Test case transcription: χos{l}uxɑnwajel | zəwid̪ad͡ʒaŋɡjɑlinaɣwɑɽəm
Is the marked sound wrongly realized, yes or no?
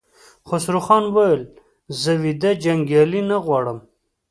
yes